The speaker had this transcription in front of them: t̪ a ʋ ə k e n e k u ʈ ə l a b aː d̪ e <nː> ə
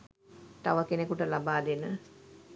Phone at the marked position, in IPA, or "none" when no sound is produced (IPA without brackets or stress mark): n